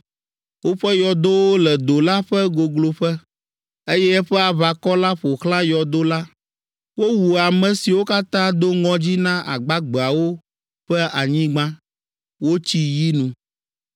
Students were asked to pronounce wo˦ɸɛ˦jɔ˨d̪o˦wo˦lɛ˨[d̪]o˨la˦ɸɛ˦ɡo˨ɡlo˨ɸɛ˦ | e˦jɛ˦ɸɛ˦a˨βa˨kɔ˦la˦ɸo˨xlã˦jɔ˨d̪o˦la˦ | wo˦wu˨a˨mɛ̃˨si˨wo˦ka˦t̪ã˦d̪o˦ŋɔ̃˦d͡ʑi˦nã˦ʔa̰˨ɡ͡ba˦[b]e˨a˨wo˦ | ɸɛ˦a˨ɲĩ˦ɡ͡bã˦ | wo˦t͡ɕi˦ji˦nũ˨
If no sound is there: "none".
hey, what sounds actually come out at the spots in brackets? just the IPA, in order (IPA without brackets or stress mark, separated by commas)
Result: d̪, ɡ͡b